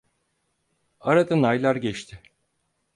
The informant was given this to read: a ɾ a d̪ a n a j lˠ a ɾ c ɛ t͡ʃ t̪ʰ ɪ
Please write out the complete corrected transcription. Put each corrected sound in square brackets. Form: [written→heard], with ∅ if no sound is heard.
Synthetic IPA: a ɾ a d̪ a n a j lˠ a ɾ [c→ɟ] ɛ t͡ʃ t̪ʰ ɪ

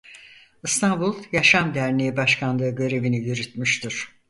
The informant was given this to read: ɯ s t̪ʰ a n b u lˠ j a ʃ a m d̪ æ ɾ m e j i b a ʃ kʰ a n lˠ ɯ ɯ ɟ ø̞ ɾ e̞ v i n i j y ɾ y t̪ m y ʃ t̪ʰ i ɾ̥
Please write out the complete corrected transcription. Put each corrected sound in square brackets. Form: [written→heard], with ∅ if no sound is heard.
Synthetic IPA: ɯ s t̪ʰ a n b u lˠ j a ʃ a m d̪ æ ɾ [m→n] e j i b a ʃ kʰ a n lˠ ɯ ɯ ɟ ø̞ ɾ e̞ v i n i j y ɾ y t̪ m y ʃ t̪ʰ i ɾ̥

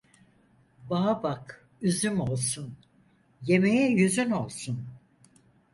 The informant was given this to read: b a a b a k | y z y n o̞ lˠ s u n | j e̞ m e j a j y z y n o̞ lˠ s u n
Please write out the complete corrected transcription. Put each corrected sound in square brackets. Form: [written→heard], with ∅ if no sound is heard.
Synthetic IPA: b a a b a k | y z y [n→m] o̞ lˠ s u n | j e̞ m e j [a→ɛ] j y z y n o̞ lˠ s u n

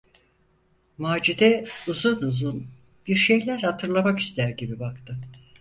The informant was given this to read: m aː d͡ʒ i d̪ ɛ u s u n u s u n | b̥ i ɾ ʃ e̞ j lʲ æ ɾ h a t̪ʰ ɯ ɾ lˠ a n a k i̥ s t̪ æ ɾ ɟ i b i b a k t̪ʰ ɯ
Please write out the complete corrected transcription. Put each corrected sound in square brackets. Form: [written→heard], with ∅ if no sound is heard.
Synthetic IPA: m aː d͡ʒ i d̪ ɛ u [s→z] u n u [s→z] u n | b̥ i ɾ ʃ e̞ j lʲ æ ɾ h a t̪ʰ ɯ ɾ lˠ a [n→m] a k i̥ s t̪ æ ɾ ɟ i b i b a k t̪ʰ ɯ

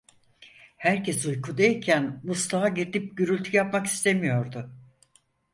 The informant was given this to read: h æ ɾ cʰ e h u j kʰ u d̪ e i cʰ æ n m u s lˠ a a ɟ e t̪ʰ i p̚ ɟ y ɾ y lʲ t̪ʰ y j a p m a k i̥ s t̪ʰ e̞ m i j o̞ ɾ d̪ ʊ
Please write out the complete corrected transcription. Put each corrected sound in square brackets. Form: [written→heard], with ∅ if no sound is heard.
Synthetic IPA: h æ ɾ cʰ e [h→s] u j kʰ u d̪ e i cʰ æ n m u s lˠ a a ɟ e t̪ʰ i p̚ ɟ y ɾ y lʲ t̪ʰ y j a p m a k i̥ s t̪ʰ e̞ m i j o̞ ɾ d̪ ʊ

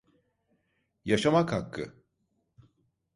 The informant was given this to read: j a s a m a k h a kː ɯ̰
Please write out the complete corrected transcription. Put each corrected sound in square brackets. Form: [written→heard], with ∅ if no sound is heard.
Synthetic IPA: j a [s→ʃ] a m a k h a kː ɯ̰

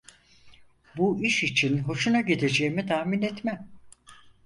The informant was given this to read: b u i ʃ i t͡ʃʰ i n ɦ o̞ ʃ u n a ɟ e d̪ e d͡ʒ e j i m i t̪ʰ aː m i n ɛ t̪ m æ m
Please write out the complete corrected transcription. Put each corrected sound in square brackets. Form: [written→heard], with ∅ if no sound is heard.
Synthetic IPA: b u i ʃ i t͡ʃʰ i n ɦ o̞ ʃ u n a ɟ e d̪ e d͡ʒ e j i m i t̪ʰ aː m i n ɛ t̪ m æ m

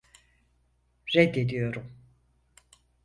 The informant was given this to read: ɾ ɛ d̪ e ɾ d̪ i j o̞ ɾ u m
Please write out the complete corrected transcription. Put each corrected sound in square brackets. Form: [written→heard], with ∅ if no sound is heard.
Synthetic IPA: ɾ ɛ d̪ e [ɾ→∅] d̪ i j o̞ ɾ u m

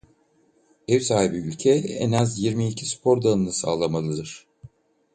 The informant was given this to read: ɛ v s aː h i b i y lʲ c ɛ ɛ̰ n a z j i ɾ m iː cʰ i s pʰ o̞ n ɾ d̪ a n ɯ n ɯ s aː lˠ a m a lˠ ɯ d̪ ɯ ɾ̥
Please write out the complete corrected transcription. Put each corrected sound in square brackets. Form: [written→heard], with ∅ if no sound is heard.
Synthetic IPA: ɛ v s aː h i b i y lʲ [c→cʰ] ɛ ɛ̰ n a z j i ɾ m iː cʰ i s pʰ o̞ [n→∅] ɾ d̪ a n ɯ n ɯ s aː lˠ a m a lˠ ɯ d̪ ɯ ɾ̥

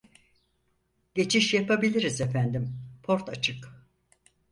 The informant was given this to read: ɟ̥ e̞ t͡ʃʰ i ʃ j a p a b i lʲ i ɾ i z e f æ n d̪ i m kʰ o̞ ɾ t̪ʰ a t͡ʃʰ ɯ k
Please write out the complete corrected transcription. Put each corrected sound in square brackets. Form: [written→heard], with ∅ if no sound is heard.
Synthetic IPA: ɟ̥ e̞ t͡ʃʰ i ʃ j a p a b i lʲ i ɾ i z e f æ n d̪ i m [kʰ→pʰ] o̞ ɾ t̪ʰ a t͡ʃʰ ɯ k

